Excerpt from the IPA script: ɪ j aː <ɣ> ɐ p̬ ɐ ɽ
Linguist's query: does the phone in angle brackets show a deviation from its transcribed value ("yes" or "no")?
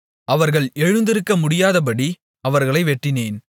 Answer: yes